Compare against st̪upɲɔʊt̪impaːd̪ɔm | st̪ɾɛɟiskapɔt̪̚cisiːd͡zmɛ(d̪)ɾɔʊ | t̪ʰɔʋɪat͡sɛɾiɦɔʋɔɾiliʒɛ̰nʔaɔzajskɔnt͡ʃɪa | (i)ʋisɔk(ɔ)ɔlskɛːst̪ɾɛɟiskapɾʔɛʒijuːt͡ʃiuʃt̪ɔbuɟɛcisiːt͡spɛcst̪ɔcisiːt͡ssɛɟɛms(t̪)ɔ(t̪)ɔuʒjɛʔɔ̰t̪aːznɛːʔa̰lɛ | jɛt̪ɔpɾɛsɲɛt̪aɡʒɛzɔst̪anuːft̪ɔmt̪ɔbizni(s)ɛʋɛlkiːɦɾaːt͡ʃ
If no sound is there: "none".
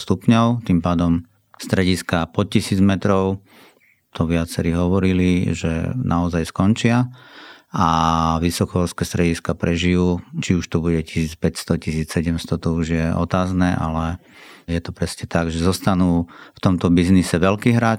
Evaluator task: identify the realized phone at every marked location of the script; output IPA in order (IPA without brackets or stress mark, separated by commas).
t̪, a, ɔ, t̪, t̪, s